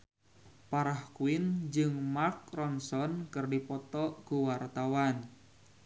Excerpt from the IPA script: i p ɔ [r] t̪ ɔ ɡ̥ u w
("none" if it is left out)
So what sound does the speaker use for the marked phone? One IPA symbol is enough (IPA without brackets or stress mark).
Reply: none